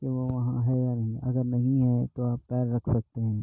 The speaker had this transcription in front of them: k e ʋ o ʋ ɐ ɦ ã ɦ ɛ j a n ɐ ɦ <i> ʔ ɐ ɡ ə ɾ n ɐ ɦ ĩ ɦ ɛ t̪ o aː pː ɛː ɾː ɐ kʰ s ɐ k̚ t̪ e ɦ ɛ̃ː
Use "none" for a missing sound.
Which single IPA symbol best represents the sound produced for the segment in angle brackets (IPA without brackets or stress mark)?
ĩ